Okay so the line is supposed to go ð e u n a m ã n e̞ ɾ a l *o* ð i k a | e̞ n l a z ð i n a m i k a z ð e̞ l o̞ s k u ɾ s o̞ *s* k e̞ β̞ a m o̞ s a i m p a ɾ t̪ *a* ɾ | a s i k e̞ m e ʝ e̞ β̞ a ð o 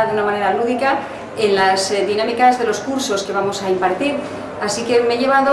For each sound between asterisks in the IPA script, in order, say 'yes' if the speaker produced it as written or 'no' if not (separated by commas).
no, yes, no